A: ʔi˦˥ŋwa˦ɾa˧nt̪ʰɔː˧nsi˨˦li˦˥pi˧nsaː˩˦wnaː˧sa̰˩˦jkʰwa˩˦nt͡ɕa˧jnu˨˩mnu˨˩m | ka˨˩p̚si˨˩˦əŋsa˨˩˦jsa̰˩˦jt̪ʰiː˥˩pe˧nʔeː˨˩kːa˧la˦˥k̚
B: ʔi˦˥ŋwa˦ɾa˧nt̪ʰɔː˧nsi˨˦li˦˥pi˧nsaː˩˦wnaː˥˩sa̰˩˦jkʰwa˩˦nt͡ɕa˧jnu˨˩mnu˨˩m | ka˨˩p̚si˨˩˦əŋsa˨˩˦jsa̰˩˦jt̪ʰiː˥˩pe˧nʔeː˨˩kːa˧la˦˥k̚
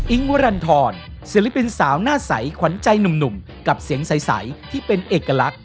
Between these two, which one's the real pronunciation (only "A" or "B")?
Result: B